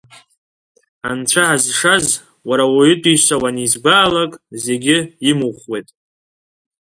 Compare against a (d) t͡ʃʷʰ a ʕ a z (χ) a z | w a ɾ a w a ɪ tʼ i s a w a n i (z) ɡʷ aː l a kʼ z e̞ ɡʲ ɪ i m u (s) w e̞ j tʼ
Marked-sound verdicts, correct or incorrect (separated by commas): incorrect, incorrect, correct, incorrect